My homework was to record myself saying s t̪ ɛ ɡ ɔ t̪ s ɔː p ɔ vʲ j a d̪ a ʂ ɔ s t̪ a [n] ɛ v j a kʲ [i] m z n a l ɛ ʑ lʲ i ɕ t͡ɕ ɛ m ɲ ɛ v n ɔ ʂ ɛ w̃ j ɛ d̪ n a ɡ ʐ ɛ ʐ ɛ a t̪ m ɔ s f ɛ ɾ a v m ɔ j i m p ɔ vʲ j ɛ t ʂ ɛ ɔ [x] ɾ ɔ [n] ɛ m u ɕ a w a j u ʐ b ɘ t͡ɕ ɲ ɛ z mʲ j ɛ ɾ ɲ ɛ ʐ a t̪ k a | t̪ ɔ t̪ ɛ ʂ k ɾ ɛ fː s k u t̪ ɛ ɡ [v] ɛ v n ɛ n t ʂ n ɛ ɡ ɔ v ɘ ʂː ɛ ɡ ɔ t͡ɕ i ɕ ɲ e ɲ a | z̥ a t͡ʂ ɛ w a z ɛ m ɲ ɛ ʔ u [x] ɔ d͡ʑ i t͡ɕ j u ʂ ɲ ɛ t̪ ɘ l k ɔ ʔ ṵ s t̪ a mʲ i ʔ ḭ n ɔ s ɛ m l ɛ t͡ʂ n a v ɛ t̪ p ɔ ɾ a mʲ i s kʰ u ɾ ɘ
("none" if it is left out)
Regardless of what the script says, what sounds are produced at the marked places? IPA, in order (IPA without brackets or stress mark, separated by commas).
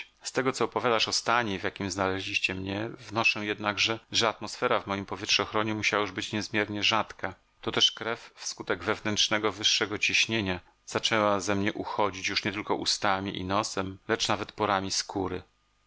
ɲ, i, x, ɲ, v, x